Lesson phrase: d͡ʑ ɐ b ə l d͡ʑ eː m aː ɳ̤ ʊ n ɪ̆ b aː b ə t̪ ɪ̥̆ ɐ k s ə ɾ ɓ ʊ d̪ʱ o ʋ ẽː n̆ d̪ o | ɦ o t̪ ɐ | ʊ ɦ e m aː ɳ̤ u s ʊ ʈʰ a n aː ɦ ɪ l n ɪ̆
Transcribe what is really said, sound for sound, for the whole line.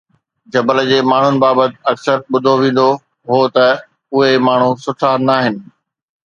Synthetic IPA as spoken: d͡ʑ ɐ b ə l d͡ʑ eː m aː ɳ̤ ʊ n ɪ̆ b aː b ə t̪ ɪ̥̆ ɐ k s ə ɾ ɓ ʊ d̪ʱ o ʋ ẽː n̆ d̪ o | ɦ o t̪ ɐ | ʊ ɦ e m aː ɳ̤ u s ʊ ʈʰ a n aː ɦ ɪ n ɪ̆

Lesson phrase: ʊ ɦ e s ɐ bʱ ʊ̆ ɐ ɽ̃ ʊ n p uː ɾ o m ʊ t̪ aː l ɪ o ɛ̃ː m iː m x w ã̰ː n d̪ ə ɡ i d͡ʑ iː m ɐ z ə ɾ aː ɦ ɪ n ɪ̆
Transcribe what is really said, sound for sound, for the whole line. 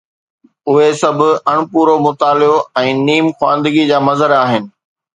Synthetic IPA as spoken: ʊ ɦ e s ɐ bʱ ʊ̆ ɐ ɽ̃ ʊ p uː ɾ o m ʊ t̪ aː l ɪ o ɛ̃ː n iː m x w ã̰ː n d̪ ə ɡ i d͡ʑ aː m ɐ z ə ɾ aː ɦ ɪ n ɪ̆

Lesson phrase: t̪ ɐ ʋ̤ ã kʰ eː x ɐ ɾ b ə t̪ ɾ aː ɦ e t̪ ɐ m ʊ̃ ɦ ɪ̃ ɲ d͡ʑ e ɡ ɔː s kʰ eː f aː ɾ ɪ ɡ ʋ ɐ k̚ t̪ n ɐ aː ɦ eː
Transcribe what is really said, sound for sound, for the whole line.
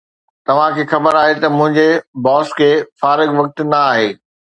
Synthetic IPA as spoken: t̪ ɐ ʋ̤ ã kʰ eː x ɐ b ə ɾ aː ɦ e t̪ ɐ m ʊ̃ ɦ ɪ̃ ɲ d͡ʑ e b ɔː s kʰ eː f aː ɾ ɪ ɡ ʋ ɐ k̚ t̪ n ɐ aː ɦ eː

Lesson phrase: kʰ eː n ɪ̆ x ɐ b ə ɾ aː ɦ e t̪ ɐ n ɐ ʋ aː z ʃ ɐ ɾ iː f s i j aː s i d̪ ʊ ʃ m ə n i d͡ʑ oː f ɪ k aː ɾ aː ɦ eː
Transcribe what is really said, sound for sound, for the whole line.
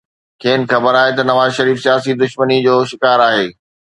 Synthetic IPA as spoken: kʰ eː n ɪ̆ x ɐ b ə ɾ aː ɦ e t̪ ɐ n ɐ ʋ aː z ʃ ɐ ɾ iː f s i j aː s i d̪ ʊ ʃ m ə n i d͡ʑ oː ʃ ɪ k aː ɾ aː ɦ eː

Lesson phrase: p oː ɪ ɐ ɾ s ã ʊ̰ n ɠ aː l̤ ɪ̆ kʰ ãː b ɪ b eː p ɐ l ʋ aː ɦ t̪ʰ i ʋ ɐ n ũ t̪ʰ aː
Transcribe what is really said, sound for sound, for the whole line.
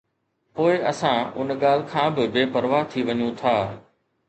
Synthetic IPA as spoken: p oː ɪ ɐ s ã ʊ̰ n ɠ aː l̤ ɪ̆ kʰ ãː b ɪ b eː p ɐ ɾ ʋ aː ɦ t̪ʰ i ʋ ɐ ɲ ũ t̪ʰ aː

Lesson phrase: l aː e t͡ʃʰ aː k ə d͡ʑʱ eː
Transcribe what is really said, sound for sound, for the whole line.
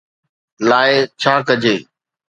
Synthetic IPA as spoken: l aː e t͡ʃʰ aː k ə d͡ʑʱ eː

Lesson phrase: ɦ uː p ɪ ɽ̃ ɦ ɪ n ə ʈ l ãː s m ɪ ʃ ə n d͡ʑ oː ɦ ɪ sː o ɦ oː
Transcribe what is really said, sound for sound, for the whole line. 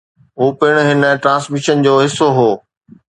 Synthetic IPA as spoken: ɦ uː p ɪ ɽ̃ ɦ ɪ n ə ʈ ɾ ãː s m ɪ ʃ ə n d͡ʑ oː ɦ ɪ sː o ɦ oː

